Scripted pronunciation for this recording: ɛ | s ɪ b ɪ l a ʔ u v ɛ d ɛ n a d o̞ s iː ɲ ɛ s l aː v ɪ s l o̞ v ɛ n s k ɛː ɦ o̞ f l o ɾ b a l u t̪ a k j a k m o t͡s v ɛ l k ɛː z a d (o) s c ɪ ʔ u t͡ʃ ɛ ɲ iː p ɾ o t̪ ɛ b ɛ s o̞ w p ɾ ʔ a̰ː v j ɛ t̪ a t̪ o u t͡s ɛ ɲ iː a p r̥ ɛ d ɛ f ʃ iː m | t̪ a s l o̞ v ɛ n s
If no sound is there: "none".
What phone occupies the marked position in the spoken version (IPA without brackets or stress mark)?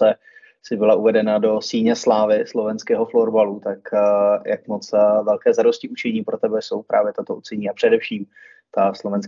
o